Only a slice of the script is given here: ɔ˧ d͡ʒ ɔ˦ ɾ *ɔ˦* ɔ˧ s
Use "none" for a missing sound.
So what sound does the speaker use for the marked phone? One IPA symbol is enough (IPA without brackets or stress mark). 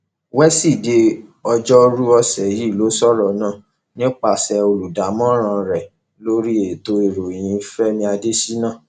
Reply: u˦